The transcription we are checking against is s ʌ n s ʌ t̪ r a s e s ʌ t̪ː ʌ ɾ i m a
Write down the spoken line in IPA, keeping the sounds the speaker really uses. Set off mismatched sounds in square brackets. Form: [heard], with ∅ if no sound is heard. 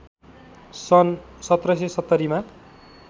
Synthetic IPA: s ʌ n s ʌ t̪ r [ʌ] s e s ʌ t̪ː ʌ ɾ i m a

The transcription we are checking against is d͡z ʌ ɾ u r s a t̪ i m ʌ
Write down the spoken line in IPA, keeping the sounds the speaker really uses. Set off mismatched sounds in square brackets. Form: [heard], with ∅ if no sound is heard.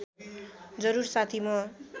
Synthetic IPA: d͡z ʌ ɾ u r s a [t̪ʰ] i m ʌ

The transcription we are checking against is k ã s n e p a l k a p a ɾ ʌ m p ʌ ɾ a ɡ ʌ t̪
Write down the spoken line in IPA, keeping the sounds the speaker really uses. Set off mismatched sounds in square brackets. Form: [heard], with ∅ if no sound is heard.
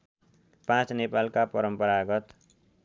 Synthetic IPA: [p] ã [t͡s] n e p a l k a p [ʌ] ɾ ʌ m p ʌ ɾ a ɡ ʌ t̪

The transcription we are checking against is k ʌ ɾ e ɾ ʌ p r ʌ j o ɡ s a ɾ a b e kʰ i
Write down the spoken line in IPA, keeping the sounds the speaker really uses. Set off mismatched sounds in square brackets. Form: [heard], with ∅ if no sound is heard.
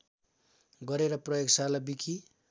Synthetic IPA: [ɡ] ʌ ɾ e ɾ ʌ p r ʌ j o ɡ s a [l] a b [i] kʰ i

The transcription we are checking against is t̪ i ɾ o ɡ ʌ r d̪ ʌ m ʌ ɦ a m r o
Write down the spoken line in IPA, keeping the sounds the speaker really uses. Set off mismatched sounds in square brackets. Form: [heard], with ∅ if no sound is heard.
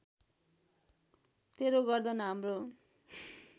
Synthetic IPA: t̪ [e] ɾ o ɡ ʌ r d̪ ʌ [n] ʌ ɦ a m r o

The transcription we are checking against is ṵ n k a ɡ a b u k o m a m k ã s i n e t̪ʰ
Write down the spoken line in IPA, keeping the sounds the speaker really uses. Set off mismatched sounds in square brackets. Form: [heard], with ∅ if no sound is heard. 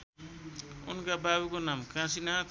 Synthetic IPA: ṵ n k a [b] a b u k o [n] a m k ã s i n [a] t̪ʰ

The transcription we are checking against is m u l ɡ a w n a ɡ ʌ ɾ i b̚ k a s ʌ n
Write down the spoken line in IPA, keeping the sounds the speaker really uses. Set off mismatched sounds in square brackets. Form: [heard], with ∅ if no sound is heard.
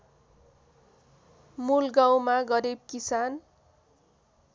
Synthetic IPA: m u l ɡ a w [m] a ɡ ʌ ɾ i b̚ k [i] s [a] n

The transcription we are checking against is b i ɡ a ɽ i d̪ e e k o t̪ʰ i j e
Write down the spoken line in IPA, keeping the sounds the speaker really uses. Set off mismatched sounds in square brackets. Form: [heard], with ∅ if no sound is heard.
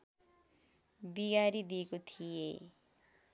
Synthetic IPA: b i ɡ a [ɾ] i d̪ [i] e k o t̪ʰ i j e

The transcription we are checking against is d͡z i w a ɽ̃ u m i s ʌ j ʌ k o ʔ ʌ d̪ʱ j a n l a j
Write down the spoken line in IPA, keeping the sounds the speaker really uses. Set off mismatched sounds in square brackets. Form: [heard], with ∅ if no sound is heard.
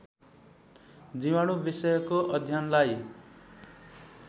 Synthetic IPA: d͡z i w a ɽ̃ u [b] i s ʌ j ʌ k o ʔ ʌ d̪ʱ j a n l a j

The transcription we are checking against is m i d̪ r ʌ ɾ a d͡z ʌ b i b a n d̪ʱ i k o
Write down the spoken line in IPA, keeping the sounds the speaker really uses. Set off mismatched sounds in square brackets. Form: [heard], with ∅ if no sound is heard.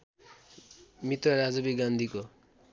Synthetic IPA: m i [t̪] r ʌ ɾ a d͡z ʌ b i [ɡ] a n d̪ʱ i k o

